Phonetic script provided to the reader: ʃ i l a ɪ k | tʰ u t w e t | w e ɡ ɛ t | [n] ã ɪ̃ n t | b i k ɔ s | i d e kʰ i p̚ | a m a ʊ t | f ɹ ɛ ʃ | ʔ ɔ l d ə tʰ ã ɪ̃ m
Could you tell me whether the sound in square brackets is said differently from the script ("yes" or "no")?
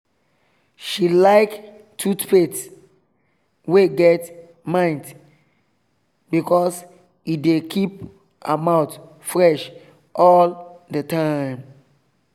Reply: yes